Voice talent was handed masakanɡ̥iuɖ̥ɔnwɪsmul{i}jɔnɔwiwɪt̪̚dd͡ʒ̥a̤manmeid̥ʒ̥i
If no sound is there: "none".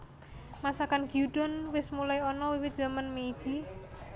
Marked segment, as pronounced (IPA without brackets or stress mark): a